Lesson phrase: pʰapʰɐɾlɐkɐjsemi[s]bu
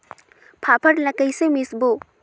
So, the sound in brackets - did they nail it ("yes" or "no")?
yes